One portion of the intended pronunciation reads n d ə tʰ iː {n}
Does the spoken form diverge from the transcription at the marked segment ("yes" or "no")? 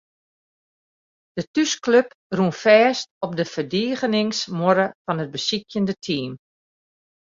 yes